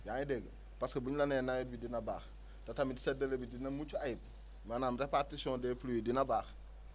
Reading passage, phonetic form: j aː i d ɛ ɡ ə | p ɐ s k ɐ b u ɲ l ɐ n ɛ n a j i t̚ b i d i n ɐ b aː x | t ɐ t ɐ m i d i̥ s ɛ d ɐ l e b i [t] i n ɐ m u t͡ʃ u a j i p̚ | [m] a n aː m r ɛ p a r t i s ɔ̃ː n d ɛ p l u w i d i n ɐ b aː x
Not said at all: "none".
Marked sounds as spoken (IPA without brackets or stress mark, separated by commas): d, m